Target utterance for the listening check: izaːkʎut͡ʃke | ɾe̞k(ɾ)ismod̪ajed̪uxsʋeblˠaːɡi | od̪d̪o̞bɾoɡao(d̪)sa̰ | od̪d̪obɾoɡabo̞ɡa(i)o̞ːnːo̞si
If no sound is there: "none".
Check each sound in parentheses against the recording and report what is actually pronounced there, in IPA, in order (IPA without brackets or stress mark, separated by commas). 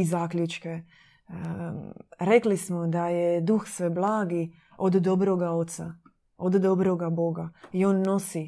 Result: l, t̪, i